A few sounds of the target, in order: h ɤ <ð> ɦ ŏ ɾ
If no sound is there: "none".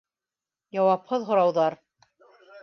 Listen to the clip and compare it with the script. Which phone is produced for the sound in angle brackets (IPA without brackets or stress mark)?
ð